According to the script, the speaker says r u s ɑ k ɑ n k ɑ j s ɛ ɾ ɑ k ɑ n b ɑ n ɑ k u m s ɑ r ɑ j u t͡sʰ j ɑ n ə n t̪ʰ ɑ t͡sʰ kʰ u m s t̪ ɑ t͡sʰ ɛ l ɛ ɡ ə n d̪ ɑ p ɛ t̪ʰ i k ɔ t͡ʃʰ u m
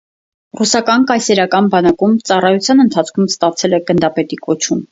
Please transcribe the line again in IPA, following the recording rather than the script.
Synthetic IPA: r u s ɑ k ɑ n k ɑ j s ɛ ɾ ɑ k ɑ n b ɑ n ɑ k u m t͡s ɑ r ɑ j u t͡sʰ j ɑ n ə n t̪ʰ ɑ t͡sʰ kʰ u m s t̪ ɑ t͡sʰ ɛ l ɛ ɡ ə n d̪ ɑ p ɛ t̪ i k ɔ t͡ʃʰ u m